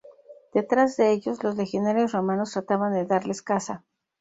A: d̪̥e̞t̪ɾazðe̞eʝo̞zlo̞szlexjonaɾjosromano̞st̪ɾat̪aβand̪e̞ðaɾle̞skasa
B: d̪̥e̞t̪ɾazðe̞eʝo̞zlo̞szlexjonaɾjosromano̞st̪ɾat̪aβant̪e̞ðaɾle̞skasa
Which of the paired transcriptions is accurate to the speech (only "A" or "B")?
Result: A